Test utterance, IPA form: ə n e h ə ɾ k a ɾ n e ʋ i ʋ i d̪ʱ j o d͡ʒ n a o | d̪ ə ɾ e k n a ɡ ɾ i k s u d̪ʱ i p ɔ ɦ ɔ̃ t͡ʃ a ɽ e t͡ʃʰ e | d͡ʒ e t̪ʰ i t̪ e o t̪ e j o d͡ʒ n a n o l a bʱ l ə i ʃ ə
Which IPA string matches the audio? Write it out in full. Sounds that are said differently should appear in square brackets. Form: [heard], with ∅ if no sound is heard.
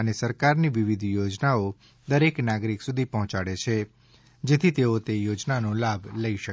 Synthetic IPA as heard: ə n e [s] ə ɾ k a ɾ n [i] ʋ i ʋ i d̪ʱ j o d͡ʒ n a o | d̪ ə ɾ e k n a ɡ ɾ i k s u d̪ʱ i p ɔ ɦ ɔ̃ t͡ʃ a ɽ e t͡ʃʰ e | d͡ʒ e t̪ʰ i t̪ e o t̪ e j o d͡ʒ n a n o l a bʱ l ə i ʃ ə